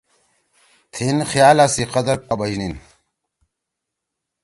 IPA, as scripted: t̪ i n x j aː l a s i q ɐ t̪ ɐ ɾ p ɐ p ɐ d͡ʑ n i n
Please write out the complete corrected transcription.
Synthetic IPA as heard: t̪ʰ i n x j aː l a s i q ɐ d̪ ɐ ɾ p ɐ b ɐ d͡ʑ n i n